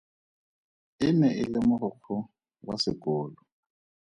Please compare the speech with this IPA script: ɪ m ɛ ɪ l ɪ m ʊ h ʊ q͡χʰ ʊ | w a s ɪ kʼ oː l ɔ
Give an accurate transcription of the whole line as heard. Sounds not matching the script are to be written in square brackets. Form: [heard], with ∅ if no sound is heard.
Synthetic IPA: ɪ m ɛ ɪ l ɪ m ʊ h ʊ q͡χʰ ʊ | w a s ɪ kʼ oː l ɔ